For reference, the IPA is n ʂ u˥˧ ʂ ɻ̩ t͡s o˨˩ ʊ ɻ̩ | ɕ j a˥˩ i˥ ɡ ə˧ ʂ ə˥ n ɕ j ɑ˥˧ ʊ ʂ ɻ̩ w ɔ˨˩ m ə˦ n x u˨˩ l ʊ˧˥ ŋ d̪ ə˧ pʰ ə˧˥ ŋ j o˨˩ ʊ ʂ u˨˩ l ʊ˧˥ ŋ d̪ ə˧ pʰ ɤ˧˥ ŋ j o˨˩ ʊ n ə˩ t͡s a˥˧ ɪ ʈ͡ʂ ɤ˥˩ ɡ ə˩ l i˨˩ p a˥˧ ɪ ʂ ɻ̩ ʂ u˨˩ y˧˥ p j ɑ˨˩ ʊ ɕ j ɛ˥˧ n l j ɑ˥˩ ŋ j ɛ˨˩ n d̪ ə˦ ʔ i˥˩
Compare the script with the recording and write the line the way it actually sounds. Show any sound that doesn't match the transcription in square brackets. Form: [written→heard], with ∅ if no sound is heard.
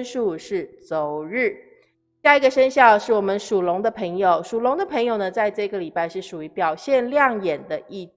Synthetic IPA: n ʂ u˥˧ ʂ ɻ̩ t͡s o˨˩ ʊ ɻ̩ | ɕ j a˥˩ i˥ ɡ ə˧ ʂ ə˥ n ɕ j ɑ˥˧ ʊ ʂ ɻ̩ w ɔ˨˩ m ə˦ n [x→ʂ] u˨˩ l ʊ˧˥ ŋ d̪ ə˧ pʰ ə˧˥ ŋ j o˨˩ ʊ ʂ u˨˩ l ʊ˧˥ ŋ d̪ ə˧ pʰ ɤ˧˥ ŋ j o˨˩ ʊ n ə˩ t͡s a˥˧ ɪ ʈ͡ʂ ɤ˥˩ ɡ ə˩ l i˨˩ p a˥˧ ɪ ʂ ɻ̩ ʂ u˨˩ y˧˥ p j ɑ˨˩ ʊ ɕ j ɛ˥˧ n l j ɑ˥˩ ŋ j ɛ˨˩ n d̪ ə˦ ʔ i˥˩